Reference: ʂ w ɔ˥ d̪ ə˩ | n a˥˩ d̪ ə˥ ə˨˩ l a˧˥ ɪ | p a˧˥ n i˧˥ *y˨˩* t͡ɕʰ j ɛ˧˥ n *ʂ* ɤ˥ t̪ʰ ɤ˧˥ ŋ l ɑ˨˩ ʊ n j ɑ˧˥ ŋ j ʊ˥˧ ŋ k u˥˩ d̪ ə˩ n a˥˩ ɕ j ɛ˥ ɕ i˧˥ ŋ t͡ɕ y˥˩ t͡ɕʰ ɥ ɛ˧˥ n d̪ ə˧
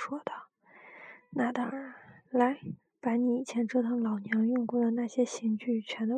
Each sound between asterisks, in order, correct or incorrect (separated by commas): incorrect, incorrect